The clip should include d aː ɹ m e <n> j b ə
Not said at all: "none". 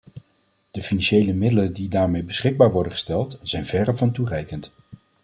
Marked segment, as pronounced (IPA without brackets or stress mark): none